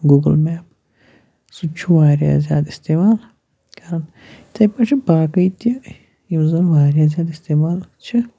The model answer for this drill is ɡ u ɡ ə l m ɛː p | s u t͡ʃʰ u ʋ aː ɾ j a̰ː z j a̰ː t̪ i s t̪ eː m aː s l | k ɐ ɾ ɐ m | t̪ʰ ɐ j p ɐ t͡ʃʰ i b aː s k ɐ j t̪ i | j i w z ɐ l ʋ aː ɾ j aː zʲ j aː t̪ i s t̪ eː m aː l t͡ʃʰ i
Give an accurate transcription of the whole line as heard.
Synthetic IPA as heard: ɡ u ɡ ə l m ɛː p | s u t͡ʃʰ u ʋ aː ɾ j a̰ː z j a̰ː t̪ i s t̪ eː m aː l | k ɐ ɾ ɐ n | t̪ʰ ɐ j p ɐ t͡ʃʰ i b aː k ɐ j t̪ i | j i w z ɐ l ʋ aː ɾ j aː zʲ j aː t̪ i s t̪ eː m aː l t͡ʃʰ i